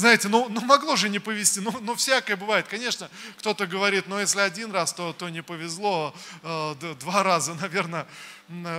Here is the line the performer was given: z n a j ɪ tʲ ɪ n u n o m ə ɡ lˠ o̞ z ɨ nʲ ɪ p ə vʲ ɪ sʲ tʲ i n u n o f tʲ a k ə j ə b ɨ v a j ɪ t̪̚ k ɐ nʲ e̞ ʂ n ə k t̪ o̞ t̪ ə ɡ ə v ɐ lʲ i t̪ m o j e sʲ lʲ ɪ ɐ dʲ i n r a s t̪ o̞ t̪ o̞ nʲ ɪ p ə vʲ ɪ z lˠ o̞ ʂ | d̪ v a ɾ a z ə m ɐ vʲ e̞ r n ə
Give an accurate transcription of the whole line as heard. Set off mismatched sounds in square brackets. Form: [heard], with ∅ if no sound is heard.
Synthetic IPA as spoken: z n a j ɪ tʲ ɪ n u n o m [ɐ] ɡ lˠ o̞ [ʐ] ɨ nʲ ɪ p ə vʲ ɪ sʲ tʲ i n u n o f [sʲ] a k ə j ə b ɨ v a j ɪ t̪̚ k ɐ nʲ e̞ ʂ n ə k t̪ o̞ t̪ ə ɡ ə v ɐ [ɾʲ] i t̪ [n] o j e sʲ lʲ ɪ ɐ dʲ i n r a s t̪ o̞ t̪ o̞ nʲ ɪ p ə vʲ ɪ z lˠ o̞ [∅] | d̪ v a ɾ a z ə [n] ɐ vʲ e̞ r n ə